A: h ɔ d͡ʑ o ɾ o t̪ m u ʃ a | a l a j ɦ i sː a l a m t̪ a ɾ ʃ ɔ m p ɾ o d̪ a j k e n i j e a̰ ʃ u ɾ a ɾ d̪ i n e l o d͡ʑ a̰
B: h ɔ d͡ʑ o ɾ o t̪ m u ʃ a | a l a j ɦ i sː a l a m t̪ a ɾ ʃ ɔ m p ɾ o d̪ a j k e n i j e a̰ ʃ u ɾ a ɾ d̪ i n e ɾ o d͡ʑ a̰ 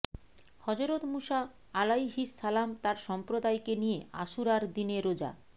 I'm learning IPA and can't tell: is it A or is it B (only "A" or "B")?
B